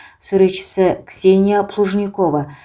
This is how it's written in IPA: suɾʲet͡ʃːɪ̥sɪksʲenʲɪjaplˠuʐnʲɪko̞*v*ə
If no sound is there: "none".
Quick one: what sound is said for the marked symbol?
v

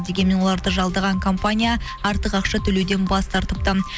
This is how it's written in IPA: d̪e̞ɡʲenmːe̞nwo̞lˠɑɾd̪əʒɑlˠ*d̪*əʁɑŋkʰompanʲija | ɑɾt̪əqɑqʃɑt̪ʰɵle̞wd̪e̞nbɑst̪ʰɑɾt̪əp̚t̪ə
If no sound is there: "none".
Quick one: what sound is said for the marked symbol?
d̪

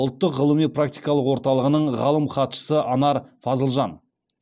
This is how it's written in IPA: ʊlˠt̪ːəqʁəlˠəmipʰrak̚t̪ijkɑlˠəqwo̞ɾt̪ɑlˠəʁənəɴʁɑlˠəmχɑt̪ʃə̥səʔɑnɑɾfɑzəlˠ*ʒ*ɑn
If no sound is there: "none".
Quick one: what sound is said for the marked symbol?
ʒ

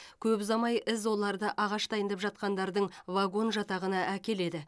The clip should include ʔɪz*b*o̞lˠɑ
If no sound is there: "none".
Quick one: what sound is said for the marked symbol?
w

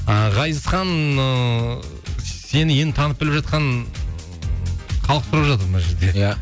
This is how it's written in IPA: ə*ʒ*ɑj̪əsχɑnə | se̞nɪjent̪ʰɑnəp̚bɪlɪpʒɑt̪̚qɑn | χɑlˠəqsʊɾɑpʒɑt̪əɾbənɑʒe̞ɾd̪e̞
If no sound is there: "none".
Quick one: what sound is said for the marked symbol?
ʁ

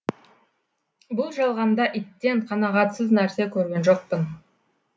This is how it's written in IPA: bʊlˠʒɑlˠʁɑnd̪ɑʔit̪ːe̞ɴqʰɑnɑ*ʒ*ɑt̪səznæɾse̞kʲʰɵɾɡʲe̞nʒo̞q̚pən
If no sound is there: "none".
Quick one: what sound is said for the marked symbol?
ʁ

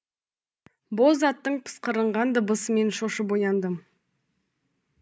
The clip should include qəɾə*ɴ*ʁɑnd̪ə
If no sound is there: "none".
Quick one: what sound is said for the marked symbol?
ɴ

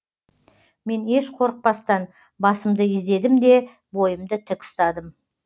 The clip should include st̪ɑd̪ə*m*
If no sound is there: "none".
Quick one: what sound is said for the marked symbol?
m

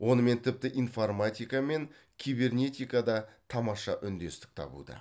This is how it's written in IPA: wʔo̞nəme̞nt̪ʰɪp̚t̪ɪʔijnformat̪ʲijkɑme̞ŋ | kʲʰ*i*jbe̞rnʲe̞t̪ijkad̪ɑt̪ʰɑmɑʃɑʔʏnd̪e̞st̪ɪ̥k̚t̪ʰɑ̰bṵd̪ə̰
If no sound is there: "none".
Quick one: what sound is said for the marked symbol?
i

